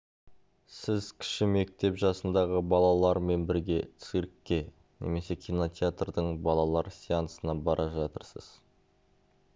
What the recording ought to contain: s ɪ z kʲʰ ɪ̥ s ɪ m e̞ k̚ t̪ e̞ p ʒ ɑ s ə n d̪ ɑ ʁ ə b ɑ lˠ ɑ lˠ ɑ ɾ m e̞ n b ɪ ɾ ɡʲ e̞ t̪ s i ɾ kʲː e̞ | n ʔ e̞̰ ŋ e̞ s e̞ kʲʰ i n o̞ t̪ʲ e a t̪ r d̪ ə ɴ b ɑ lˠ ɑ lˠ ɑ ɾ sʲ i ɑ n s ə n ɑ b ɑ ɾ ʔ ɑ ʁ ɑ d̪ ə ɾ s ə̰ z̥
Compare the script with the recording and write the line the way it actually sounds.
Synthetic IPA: s ɪ z kʲʰ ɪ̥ ʃ ɪ m e̞ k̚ t̪ e̞ p ʒ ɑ s ə n d̪ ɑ ʁ ə b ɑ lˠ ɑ lˠ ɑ ɾ m e̞ n b ɪ ɾ ɡʲ e̞ t̪ s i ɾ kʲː e̞ | n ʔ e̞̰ m e̞ s e̞ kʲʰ i n o̞ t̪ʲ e a t̪ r d̪ ə ɴ b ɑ lˠ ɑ lˠ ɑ ɾ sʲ i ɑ n s ə n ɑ b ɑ ɾ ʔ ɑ ʒ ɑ t̪ ə ɾ s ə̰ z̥